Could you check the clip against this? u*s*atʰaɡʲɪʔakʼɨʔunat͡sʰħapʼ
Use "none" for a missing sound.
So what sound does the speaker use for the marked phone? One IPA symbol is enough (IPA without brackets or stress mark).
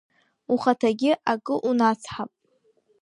χ